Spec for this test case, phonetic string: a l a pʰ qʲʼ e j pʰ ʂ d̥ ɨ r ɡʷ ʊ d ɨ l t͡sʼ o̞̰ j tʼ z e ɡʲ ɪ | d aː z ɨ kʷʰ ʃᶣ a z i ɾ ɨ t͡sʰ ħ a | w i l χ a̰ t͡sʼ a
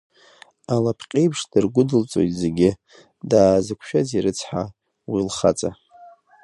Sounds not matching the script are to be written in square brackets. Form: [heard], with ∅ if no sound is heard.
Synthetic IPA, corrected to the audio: a l a pʰ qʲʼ e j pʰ ʂ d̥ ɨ r ɡʷ ʊ d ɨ l t͡sʼ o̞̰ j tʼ z e ɡʲ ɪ | d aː z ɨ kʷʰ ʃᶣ a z i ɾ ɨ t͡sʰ ħ a | w i l χ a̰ t͡sʼ a